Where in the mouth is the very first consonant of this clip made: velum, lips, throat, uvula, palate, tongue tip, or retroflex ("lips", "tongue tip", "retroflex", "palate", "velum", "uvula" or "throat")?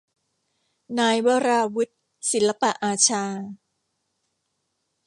tongue tip